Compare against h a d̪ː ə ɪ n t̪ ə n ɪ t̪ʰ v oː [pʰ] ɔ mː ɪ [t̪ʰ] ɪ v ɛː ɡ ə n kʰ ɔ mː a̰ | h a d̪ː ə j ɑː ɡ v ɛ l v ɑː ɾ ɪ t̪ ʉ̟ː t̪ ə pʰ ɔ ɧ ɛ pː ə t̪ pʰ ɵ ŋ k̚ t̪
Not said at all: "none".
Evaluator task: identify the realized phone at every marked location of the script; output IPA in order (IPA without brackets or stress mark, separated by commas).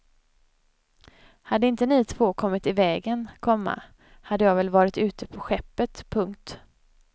kʰ, t̪